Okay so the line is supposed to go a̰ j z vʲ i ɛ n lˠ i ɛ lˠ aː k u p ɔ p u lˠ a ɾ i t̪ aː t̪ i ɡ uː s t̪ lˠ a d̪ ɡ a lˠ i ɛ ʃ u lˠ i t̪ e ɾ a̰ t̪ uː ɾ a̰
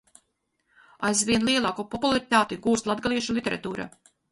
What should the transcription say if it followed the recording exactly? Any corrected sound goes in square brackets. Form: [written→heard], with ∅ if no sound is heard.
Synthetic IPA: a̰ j z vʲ i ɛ n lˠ i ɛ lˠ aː k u p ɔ p u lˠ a ɾ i t̪ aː t̪ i ɡ uː s t̪ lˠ a d̪ ɡ a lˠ i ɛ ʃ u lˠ i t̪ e ɾ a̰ t̪ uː ɾ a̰

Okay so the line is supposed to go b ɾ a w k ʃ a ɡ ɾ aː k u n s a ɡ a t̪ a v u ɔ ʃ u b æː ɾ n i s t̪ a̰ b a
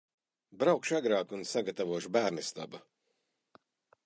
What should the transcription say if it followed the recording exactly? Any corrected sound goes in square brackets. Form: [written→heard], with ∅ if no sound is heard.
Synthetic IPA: b ɾ a w k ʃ a ɡ ɾ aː k u n s a ɡ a t̪ a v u ɔ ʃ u b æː ɾ n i s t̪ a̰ b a

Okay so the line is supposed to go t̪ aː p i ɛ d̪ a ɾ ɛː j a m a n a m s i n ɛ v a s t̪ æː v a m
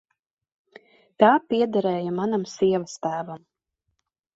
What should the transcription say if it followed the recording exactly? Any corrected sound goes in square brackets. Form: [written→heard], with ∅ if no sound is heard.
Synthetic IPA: t̪ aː p i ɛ d̪ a ɾ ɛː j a m a n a m s i [n→∅] ɛ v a s t̪ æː v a m

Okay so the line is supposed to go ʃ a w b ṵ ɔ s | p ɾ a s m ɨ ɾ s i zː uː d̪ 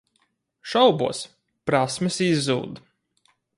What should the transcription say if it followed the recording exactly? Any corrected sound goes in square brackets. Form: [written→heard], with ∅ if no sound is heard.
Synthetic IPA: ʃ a w b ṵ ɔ s | p ɾ a s m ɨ [ɾ→∅] s i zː uː d̪

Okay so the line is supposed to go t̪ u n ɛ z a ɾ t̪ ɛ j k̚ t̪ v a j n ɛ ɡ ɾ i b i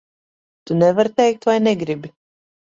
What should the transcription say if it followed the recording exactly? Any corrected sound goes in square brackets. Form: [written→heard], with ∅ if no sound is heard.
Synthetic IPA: t̪ u n ɛ [z→v] a ɾ t̪ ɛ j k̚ t̪ v a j n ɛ ɡ ɾ i b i

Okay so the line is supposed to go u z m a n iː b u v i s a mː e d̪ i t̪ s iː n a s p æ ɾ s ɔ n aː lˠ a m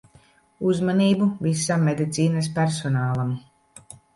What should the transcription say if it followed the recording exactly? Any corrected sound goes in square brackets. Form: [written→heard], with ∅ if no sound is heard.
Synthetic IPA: u z m a n iː b u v i s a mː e d̪ i t̪ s iː n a s p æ ɾ s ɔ n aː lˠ a m

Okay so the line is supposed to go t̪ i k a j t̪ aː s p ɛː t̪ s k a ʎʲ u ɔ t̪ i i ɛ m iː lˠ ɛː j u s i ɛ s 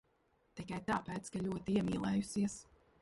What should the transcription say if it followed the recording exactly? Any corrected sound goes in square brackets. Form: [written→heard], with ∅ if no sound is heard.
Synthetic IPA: t̪ i k a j t̪ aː [s→∅] p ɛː t̪ s k a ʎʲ u ɔ t̪ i i ɛ m iː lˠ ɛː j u s i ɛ s

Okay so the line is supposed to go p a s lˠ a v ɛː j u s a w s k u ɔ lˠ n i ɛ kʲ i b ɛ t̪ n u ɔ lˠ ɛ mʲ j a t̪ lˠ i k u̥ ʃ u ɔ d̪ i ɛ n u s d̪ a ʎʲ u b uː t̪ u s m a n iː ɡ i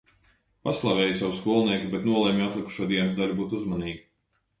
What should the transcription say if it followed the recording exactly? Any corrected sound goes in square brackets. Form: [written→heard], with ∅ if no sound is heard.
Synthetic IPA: p a s lˠ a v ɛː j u s a w s k u ɔ lˠ n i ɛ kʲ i b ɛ t̪ n u ɔ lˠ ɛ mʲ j a t̪ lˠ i k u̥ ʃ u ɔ d̪ i ɛ n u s d̪ a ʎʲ u b uː t̪ u [s→z] m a n iː ɡ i

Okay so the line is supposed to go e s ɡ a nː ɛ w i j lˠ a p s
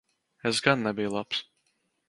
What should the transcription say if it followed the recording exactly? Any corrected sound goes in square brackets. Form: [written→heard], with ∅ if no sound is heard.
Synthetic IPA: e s ɡ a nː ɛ [w→b] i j lˠ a p s

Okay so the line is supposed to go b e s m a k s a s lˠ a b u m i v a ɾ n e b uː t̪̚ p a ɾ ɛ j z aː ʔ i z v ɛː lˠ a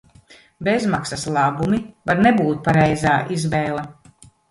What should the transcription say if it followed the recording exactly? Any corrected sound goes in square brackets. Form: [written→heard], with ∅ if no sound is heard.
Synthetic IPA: b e [s→z] m a k s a s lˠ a b u m i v a ɾ n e b uː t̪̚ p a ɾ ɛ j z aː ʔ i z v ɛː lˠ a

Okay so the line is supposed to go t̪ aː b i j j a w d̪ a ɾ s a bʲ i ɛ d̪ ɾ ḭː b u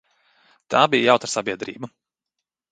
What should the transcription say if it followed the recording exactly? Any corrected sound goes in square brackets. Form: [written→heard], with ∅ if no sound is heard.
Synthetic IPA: t̪ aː b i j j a w [d̪→t̪] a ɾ s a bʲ i ɛ d̪ ɾ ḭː b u

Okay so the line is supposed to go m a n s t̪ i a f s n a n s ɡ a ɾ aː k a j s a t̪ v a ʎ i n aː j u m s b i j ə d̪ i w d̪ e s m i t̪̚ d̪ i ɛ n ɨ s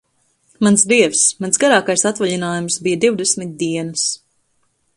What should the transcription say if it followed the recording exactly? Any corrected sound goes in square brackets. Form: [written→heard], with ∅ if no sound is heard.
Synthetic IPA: m a n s [t̪→d̪] i [a→ɛ] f s [n→m] a n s ɡ a ɾ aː k a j s a t̪ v a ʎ i n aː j u m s b i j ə d̪ i w d̪ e s m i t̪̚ d̪ i ɛ n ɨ s

